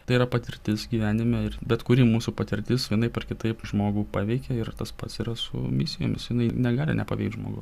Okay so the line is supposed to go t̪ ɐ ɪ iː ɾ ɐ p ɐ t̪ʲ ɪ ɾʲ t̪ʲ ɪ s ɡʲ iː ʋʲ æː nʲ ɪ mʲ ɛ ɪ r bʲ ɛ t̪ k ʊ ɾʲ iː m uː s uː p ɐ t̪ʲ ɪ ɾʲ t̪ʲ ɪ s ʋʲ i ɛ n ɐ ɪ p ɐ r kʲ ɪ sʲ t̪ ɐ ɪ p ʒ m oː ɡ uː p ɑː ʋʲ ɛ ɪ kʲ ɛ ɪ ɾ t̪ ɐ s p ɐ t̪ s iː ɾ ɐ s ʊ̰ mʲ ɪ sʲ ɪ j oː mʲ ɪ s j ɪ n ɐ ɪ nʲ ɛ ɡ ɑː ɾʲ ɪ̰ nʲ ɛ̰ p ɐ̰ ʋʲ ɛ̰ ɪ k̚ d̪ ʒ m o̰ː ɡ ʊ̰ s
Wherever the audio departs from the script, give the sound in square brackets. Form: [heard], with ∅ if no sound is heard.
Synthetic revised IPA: t̪ ɐ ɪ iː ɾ ɐ p ɐ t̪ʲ ɪ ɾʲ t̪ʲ ɪ s ɡʲ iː ʋʲ æː nʲ ɪ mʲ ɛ ɪ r bʲ ɛ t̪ k ʊ ɾʲ iː m uː s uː p ɐ t̪ʲ ɪ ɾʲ t̪ʲ ɪ s ʋʲ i ɛ n ɐ ɪ p ɐ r kʲ ɪ [∅] t̪ ɐ ɪ p ʒ m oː ɡ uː p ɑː ʋʲ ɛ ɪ kʲ ɛ ɪ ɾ t̪ ɐ s p ɐ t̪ s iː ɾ ɐ s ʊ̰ mʲ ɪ sʲ ɪ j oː mʲ ɪ s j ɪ n ɐ ɪ nʲ ɛ ɡ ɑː [lʲ] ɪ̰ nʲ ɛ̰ p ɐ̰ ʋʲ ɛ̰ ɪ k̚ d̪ ʒ m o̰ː ɡ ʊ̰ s